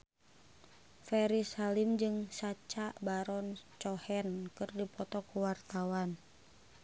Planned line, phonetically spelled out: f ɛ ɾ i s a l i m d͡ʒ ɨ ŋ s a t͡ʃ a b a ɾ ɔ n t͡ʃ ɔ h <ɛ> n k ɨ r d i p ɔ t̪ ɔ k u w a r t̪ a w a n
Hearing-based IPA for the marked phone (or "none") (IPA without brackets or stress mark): ɛ